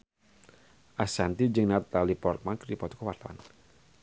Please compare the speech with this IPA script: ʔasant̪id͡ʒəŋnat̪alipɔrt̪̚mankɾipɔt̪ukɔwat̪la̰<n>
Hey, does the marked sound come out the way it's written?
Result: yes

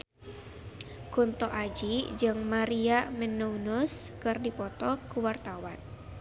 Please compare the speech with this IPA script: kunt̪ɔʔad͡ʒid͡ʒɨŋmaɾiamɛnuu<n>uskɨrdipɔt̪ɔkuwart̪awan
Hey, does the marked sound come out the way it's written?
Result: yes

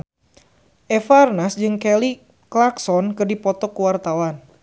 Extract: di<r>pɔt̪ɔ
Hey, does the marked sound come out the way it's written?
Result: no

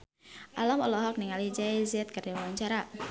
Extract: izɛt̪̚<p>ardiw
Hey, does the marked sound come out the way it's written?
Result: no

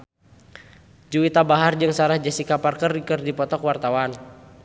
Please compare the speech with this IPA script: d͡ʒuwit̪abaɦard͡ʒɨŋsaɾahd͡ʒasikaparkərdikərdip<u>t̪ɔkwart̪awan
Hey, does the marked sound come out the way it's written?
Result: no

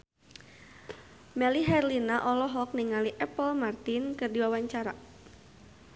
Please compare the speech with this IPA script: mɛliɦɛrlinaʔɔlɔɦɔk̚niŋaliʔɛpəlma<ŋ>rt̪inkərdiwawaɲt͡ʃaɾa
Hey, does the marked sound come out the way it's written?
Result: no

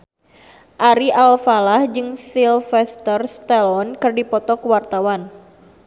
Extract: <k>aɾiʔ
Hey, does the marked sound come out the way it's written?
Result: no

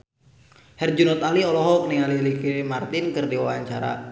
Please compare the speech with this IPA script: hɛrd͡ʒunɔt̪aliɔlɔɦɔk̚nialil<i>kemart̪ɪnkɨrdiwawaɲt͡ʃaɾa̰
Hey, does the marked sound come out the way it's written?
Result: yes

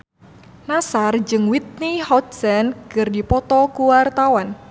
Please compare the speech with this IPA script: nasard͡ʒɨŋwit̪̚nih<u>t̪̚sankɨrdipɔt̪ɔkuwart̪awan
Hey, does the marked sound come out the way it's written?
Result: no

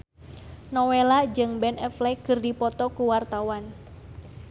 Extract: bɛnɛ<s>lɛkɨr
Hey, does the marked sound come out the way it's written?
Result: no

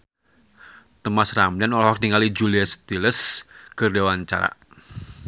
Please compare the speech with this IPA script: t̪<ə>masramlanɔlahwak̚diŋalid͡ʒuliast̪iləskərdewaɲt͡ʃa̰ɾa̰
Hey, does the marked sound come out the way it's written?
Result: yes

